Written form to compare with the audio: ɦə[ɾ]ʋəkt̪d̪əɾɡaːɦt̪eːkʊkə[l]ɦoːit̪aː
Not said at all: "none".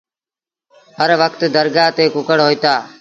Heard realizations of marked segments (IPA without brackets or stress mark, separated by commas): ɾ, ɽ